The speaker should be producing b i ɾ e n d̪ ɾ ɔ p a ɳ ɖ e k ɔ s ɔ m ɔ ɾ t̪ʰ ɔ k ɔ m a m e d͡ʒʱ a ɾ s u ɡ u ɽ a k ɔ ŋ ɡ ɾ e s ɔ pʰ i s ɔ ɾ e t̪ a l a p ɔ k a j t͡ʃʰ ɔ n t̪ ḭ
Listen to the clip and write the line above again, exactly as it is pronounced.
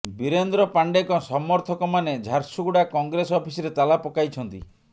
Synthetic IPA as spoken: b i ɾ e n d̪ ɾ ɔ p a ɳ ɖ e k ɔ s ɔ m ɔ ɾ t̪ʰ ɔ k ɔ m a n e d͡ʒʱ a ɾ s u ɡ u ɽ a k ɔ ŋ ɡ ɾ e s ɔ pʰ i s ɔ ɾ e t̪ a l a p ɔ k a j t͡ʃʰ ɔ n t̪ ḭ

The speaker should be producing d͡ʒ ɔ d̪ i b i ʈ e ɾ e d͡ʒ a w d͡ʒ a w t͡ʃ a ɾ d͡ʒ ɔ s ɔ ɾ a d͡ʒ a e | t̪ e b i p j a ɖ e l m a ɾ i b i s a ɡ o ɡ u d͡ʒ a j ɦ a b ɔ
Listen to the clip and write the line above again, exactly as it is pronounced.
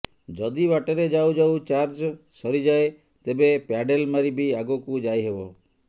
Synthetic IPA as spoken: d͡ʒ ɔ d̪ i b a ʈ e ɾ e d͡ʒ a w d͡ʒ a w t͡ʃ a ɾ d͡ʒ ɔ s ɔ ɾ i d͡ʒ a e | t̪ e b e p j a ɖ e l m a ɾ i b i a ɡ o k u d͡ʒ a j ɦ e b ɔ

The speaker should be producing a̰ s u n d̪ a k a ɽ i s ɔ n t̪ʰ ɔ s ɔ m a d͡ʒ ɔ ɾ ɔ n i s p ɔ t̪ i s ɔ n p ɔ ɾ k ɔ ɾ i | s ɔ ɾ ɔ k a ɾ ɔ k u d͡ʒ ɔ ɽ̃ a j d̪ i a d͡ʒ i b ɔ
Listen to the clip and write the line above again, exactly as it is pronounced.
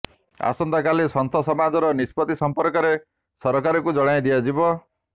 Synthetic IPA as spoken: a̰ s ɔ n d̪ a k a l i s ɔ n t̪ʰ ɔ s ɔ m a d͡ʒ ɔ ɾ ɔ n i s p ɔ t̪ i s ɔ m p ɔ ɾ k ɔ ɾ e | s ɔ ɾ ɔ k a ɾ ɔ k u d͡ʒ ɔ ɽ̃ a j d̪ i a d͡ʒ i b ɔ

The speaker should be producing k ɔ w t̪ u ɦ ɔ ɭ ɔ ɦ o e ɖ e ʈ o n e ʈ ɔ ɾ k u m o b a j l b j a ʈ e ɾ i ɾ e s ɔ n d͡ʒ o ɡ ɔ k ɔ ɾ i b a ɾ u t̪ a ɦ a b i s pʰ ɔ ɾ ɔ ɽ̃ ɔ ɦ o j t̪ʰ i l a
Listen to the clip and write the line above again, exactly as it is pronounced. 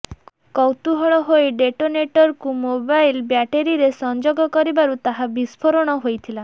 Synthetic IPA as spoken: k ɔ w t̪ u ɦ ɔ ɭ ɔ ɦ o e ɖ e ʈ o n e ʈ ɔ ɾ k u m o b a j l b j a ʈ e ɾ i ɾ e s ɔ n d͡ʒ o ɡ ɔ k ɔ ɾ i b a ɾ u t̪ a ɦ a b i s pʰ ɔ ɾ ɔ ɽ̃ ɔ ɦ o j t̪ʰ i l a

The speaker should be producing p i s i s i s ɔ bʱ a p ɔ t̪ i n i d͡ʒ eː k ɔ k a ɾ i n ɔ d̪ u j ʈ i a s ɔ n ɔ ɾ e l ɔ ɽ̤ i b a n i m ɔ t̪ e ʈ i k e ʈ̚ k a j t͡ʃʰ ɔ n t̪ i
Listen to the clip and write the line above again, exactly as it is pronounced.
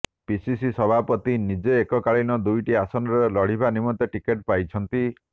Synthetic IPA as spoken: p i s i s i s ɔ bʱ a p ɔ t̪ i n i d͡ʒ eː k ɔ k a ɭ i n ɔ d̪ u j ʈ i a s ɔ n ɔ ɾ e l ɔ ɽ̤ i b a n i m ɔ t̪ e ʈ i k e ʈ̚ p a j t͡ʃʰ ɔ n t̪ i

